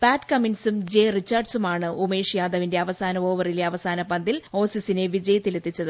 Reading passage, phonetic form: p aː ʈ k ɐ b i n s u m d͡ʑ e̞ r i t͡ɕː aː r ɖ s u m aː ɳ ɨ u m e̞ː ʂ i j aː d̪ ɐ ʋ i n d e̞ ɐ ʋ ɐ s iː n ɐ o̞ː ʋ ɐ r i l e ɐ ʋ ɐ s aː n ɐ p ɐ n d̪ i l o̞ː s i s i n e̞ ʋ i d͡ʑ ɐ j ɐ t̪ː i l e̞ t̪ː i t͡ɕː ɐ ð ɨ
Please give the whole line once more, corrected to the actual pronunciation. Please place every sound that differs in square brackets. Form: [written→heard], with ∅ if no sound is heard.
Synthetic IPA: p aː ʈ k ɐ [b→m] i n s u m d͡ʑ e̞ r i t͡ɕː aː r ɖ s u m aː ɳ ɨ u m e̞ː ʂ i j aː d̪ ɐ ʋ i n d e̞ ɐ ʋ ɐ s [iː→aː] n ɐ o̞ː ʋ ɐ r i l e ɐ ʋ ɐ s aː n ɐ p ɐ n d̪ i l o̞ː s i s i n e̞ ʋ i d͡ʑ ɐ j ɐ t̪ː i l e̞ t̪ː i t͡ɕː ɐ ð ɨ